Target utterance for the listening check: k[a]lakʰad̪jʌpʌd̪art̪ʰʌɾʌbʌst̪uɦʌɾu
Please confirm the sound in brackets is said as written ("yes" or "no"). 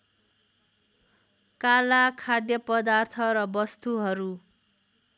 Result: yes